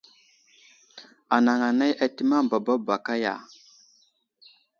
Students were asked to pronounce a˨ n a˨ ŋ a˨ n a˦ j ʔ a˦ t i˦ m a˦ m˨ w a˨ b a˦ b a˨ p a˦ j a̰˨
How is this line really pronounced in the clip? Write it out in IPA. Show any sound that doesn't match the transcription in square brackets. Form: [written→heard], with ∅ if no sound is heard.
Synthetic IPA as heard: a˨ n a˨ ŋ a˨ n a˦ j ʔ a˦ t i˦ m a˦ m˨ [w→b] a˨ b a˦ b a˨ [p→k] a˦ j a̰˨

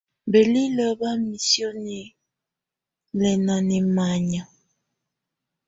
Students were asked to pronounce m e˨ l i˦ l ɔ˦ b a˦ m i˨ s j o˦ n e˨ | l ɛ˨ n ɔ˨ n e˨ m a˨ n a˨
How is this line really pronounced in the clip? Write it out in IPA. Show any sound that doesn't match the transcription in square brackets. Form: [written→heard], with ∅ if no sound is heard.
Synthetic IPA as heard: [m→b] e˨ l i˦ l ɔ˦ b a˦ m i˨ s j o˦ n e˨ | l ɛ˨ n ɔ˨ n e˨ m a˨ [n→ɲ] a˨

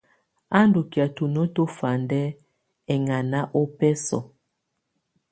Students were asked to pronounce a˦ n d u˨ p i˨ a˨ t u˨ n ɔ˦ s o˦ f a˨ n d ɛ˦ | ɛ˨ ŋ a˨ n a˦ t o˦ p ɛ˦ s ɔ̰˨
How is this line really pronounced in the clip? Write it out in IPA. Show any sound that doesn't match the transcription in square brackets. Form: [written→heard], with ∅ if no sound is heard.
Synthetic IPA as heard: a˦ n d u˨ [p→k] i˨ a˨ t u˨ n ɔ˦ [s→t] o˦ f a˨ n d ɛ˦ | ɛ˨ ŋ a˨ n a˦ [t→ʔ] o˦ p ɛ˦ s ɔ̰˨

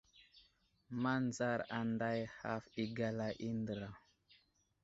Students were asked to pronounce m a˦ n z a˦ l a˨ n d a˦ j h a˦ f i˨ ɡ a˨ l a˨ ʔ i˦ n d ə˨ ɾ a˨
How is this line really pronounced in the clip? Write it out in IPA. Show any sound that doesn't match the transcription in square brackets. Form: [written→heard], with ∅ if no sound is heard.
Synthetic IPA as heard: m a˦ n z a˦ [l→ɾ] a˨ n d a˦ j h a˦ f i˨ ɡ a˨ l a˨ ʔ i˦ n d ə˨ ɾ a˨

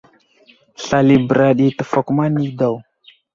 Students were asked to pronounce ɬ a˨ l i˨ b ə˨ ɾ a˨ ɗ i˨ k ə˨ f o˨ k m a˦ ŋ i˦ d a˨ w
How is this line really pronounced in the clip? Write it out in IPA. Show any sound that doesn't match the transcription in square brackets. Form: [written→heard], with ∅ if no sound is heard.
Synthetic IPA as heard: ɬ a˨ l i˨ b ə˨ ɾ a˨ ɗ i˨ [k→t] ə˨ f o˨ k m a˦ [ŋ→n] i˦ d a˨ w

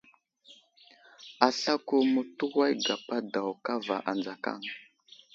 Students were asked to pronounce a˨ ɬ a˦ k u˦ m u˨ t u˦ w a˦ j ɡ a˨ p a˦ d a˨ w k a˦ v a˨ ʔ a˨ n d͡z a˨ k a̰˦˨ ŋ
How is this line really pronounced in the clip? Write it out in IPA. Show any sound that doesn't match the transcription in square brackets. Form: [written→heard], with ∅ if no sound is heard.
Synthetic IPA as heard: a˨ ɬ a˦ k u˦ m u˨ t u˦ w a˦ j ɡ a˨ p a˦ d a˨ w k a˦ v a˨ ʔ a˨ n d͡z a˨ k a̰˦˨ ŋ

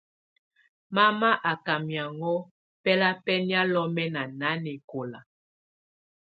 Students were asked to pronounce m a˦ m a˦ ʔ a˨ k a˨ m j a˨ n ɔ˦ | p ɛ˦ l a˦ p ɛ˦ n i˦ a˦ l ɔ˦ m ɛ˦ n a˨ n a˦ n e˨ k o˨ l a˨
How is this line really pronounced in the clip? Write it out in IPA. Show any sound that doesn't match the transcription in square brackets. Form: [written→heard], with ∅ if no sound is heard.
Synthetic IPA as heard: m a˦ m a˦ ʔ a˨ k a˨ m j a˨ [n→ŋ] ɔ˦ | p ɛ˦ l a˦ p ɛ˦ n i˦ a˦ l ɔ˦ m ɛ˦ n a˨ n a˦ n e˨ k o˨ l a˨

